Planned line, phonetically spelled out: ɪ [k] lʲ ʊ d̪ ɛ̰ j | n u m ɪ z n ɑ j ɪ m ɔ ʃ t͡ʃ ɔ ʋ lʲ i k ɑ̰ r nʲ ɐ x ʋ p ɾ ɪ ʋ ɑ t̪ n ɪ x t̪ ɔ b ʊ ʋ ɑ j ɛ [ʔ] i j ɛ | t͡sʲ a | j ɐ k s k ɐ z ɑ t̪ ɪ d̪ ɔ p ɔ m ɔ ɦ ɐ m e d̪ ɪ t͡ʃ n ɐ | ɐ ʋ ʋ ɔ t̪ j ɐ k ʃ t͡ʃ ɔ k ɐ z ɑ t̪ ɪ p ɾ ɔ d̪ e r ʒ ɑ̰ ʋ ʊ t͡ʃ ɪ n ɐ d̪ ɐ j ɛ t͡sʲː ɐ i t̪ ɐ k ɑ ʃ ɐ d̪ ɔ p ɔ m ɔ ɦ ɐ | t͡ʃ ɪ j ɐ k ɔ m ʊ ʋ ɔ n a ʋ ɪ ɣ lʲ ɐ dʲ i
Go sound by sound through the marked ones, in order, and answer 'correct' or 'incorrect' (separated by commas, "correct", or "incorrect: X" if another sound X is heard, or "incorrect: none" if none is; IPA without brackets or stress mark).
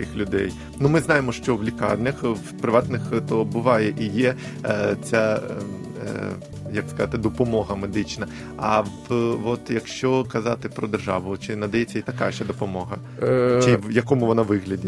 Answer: incorrect: x, correct